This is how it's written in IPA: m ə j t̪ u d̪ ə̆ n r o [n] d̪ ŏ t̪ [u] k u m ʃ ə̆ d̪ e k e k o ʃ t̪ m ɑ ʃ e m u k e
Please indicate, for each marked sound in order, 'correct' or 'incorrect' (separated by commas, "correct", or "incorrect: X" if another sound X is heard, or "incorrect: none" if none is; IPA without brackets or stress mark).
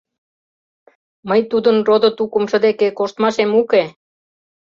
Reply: incorrect: none, correct